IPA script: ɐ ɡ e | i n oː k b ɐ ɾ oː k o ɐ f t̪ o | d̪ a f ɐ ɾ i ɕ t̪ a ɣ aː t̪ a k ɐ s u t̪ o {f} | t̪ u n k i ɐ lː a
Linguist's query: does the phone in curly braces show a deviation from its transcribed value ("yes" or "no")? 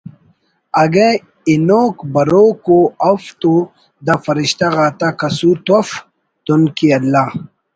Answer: no